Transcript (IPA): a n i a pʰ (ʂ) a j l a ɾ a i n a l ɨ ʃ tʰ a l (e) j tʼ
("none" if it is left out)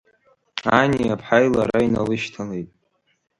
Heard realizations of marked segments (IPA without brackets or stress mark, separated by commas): ħ, e